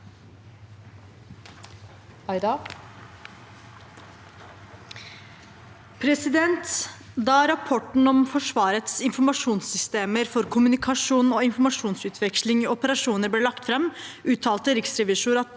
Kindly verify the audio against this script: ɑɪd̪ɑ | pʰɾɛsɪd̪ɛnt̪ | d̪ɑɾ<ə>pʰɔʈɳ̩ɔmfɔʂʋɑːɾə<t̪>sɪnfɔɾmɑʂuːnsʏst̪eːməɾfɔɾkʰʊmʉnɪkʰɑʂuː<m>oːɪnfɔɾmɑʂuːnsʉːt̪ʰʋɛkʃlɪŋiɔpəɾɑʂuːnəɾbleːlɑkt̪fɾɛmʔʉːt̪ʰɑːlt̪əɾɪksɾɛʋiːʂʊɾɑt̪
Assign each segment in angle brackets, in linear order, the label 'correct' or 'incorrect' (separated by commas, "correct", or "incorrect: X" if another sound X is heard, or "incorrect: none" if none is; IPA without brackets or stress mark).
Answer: incorrect: ɑ, correct, incorrect: n